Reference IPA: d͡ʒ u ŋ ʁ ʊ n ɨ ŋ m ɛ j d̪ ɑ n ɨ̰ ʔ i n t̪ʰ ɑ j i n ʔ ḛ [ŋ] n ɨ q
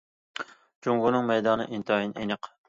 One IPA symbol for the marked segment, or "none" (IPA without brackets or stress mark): none